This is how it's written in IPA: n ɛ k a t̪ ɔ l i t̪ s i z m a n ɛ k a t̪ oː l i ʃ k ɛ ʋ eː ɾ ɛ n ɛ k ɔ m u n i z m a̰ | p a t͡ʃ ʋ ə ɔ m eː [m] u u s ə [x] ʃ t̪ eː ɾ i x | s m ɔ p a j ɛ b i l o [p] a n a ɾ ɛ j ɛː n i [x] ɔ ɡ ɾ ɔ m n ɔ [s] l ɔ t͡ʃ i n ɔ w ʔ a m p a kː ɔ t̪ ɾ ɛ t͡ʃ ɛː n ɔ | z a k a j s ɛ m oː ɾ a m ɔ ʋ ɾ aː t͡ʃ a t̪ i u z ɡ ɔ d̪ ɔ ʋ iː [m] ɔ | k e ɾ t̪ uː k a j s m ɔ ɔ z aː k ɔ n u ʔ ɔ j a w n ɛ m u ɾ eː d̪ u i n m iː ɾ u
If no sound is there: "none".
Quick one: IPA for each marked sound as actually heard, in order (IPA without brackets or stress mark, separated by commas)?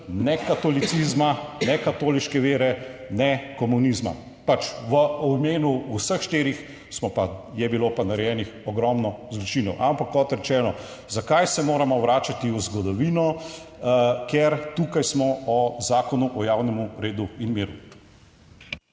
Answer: n, x, p, x, z, n